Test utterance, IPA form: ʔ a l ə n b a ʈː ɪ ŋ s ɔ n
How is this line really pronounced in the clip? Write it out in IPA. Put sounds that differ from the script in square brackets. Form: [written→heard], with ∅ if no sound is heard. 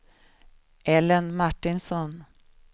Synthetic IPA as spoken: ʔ [a→ɛ] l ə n [b→m] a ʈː ɪ [ŋ→n] s ɔ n